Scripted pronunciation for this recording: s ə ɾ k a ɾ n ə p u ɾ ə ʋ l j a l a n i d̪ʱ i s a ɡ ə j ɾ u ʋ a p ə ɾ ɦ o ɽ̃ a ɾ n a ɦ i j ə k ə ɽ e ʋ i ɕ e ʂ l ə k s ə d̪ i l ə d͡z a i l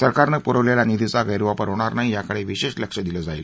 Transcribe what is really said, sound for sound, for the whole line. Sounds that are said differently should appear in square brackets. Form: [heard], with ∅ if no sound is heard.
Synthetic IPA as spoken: s ə ɾ k a ɾ n ə p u ɾ ə ʋ l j a l a n i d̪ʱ i [t͡s] a ɡ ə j ɾ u ʋ a p ə ɾ ɦ o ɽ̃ a ɾ n a ɦ i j [a] k ə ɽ e ʋ i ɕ e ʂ l ə k [ʂ] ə d̪ i l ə d͡z a i l